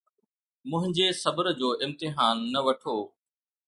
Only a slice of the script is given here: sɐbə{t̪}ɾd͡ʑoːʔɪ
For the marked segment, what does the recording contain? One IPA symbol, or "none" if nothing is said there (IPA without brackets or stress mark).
none